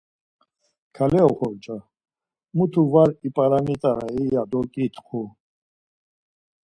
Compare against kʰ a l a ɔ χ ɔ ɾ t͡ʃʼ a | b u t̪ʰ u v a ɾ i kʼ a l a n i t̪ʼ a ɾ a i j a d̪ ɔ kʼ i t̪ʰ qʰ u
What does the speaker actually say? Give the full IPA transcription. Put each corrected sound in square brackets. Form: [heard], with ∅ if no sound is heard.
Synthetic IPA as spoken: kʰ a l [ɛ] ɔ χ ɔ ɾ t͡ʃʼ a | [m] u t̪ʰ u v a ɾ i [pʼ] a [ɾ] a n i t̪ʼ a ɾ a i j a d̪ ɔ kʼ i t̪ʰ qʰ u